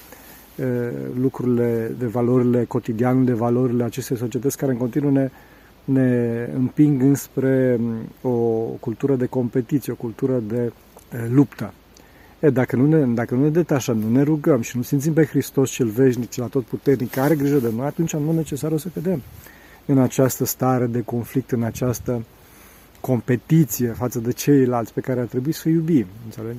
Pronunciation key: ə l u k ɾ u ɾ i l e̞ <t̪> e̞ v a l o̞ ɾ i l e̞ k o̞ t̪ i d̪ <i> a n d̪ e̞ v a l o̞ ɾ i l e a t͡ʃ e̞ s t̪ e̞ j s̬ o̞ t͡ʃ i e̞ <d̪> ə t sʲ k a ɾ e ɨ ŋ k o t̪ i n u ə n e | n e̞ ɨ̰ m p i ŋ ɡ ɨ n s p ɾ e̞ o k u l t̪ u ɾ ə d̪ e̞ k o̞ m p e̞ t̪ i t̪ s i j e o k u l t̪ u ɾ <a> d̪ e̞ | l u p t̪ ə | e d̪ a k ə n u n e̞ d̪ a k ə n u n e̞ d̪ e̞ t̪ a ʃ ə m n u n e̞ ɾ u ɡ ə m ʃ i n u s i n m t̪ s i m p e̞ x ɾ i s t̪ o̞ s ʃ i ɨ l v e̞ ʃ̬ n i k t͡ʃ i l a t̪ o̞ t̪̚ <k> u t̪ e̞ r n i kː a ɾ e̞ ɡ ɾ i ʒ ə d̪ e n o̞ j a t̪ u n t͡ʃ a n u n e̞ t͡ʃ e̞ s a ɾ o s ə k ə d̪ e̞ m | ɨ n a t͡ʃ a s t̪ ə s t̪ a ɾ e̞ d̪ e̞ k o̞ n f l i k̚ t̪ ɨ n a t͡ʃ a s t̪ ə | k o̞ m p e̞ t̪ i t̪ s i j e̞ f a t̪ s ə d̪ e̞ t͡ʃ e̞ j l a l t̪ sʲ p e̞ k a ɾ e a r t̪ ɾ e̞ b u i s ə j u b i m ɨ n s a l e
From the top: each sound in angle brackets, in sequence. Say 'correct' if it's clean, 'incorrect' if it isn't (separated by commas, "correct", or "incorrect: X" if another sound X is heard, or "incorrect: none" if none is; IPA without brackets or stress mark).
incorrect: d̪, correct, incorrect: t̪, incorrect: ə, incorrect: p